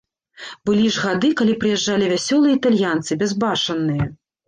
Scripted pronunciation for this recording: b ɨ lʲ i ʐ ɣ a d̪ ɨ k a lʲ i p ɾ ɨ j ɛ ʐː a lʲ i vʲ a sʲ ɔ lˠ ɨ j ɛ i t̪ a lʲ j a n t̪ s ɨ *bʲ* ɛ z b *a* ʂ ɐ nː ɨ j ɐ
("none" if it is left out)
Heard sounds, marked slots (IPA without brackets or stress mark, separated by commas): bʲ, a